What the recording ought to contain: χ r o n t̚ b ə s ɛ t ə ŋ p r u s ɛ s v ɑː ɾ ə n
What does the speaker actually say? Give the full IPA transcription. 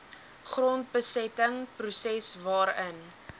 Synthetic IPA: χ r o n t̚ b ə s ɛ t ə ŋ p r u s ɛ s v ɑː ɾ ə n

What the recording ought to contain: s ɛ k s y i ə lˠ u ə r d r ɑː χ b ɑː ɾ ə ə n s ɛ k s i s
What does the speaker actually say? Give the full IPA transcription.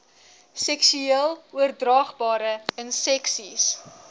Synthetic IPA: s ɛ k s y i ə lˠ u ə r d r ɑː χ b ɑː ɾ ə ə n s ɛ k s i s

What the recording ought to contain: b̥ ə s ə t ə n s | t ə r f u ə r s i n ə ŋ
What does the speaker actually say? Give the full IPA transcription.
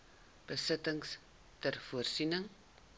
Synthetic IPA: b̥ ə s ə t ə ŋ s | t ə r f u ə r s i n ə ŋ

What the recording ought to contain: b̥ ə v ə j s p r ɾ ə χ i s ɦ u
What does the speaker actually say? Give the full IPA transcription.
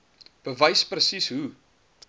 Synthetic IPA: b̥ ə v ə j s p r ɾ ə s i s ɦ u

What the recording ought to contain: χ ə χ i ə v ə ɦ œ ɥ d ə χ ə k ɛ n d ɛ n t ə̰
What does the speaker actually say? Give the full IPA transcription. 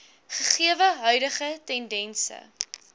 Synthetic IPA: χ ə χ i ə v ə ɦ œ ɥ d ə χ ə t ɛ n d ɛ n s ə̰

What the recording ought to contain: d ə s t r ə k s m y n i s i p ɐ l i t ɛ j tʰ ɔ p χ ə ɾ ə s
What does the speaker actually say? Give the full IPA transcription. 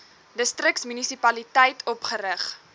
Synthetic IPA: d ə s t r ə k s m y n i s i p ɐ l i t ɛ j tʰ ɔ p χ ə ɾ ə χ

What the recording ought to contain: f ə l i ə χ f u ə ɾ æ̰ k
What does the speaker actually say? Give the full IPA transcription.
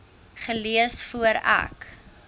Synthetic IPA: χ ə l i ə s f u ə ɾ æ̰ k

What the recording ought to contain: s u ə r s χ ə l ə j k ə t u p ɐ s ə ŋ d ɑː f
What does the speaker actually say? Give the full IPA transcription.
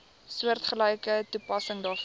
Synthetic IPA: s u ə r t χ ə l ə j k ə t u p ɐ s ə ŋ d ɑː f

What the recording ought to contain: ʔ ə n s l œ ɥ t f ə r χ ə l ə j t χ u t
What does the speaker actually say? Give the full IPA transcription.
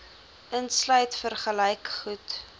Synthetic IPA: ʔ ə n s l œ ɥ t f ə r χ ə l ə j k χ u t

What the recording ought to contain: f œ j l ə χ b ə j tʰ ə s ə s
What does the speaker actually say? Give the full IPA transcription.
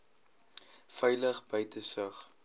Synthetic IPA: f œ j l ə χ b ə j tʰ ə s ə χ

